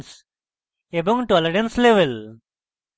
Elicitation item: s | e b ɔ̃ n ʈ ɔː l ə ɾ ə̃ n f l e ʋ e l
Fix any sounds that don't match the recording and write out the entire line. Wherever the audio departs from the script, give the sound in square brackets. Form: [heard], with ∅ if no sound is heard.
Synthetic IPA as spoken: s | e b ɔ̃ [ŋ] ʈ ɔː l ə ɾ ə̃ n [s] l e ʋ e l